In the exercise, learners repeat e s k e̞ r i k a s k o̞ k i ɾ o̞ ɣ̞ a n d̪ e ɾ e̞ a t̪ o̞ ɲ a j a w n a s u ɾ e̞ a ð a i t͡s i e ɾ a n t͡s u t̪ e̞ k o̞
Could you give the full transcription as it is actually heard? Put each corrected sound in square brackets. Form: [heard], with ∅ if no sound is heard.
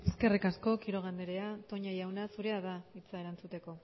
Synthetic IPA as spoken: e s k e̞ r i k a s k o̞ k i ɾ o̞ ɣ̞ a n d̪ e ɾ e̞ a t̪ o̞ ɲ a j a w n a s u ɾ e̞ a ð a i t͡s [a] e ɾ a n t͡s u t̪ e̞ k o̞